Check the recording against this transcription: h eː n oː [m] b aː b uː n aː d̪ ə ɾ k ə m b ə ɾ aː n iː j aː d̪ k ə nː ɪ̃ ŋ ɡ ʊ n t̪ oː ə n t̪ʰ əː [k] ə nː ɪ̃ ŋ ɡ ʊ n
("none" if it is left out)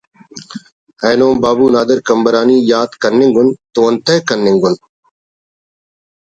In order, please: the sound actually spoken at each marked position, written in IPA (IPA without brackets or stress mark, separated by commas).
m, k